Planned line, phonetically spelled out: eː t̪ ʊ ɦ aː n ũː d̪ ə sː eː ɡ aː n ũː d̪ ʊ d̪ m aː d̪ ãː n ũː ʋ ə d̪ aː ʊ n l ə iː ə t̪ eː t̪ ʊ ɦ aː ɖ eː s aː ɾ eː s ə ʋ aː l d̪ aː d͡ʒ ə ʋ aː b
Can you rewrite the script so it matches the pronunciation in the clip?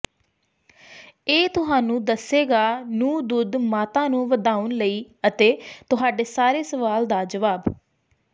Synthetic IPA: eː t̪ ʊ ɦ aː n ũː d̪ ə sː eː ɡ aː n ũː d̪ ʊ d̪ m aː t̪ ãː n ũː ʋ ə d̪ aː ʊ n l ə iː ə t̪ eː t̪ ʊ ɦ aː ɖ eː s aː ɾ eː s ə ʋ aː l d̪ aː d͡ʒ ə ʋ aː b